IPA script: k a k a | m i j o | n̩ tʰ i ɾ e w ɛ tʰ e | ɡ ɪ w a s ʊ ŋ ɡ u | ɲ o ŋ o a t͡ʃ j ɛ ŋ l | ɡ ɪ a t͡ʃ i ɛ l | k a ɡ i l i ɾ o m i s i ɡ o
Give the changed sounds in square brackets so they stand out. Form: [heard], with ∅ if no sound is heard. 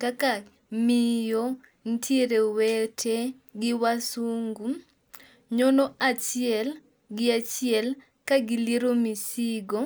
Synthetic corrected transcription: k a k a | m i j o | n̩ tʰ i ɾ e w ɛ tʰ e | ɡ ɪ w a s [u] ŋ ɡ u | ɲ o [n] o a t͡ʃ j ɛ [∅] l | ɡ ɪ a t͡ʃ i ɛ l | k a ɡ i l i ɾ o m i s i ɡ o